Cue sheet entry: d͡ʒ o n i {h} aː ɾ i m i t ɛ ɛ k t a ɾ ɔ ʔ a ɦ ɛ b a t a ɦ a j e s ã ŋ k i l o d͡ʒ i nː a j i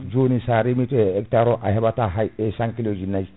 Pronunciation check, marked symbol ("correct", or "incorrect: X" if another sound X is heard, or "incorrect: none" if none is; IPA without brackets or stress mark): incorrect: s